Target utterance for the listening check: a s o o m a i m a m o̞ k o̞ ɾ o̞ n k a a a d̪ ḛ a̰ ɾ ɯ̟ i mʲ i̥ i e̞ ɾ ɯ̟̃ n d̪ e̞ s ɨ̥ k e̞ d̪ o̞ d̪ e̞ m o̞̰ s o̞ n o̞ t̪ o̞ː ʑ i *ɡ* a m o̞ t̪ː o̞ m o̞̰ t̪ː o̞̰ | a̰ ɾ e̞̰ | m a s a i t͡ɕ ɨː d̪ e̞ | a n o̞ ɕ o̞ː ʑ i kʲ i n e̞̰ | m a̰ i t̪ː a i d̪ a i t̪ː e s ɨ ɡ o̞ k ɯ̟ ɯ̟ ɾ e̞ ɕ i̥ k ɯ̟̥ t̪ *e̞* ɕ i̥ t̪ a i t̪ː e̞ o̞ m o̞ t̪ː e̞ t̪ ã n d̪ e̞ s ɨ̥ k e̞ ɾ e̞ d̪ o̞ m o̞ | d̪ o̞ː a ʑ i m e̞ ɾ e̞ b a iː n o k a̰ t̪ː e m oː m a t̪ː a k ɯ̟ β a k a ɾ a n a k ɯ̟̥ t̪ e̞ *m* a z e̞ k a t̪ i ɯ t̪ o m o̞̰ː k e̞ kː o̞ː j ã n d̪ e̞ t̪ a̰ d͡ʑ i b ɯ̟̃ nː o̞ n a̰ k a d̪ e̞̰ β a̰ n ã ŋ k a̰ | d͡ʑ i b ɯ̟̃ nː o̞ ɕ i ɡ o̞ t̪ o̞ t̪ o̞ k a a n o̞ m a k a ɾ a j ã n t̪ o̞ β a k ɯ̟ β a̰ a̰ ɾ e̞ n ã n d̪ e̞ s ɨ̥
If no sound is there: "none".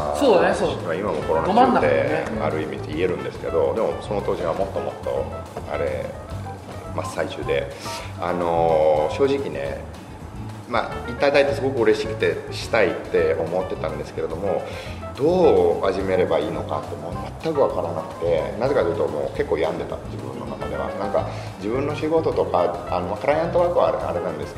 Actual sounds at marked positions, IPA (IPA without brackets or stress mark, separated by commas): ɡ, e̞, n